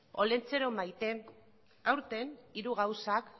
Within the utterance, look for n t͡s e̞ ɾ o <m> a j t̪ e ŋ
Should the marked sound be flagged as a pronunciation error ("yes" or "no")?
no